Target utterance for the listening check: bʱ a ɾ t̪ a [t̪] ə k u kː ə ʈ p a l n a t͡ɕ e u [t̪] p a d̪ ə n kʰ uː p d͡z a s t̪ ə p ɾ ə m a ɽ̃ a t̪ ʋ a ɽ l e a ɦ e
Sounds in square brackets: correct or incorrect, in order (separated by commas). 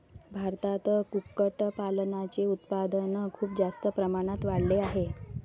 correct, correct